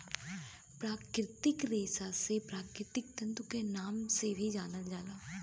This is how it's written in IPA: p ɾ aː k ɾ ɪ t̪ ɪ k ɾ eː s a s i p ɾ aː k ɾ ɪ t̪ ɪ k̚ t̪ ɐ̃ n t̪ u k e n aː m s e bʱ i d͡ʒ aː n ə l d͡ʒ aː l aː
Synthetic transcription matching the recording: p ɾ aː k ɾ ɪ t̪ ɪ k ɾ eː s a s e p ɾ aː k ɾ ɪ t̪ ɪ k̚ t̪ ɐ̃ n t̪ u k e n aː m s e bʱ i d͡ʒ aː n ə l d͡ʒ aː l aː